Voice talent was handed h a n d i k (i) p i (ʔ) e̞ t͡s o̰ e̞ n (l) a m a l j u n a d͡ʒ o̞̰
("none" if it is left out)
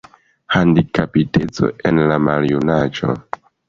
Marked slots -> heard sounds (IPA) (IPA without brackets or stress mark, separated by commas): a, t, l